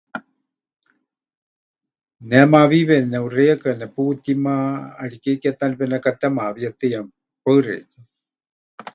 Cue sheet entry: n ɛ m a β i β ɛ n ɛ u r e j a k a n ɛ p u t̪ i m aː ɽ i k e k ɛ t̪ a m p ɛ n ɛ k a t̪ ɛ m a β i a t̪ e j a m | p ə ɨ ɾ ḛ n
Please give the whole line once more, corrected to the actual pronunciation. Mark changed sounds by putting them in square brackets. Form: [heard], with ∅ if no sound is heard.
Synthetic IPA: n ɛ m a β i β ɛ n ɛ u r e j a k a n ɛ p u t̪ i m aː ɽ i k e k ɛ t̪ a [n] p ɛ n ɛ k a t̪ ɛ m a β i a t̪ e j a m | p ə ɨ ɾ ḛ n